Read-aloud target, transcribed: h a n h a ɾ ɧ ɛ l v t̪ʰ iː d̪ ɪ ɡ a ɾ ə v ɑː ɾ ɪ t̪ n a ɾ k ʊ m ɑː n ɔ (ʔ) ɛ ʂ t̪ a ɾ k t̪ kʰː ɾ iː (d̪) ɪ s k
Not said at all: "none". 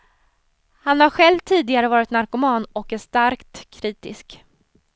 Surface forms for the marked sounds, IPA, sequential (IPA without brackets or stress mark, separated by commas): k, t̪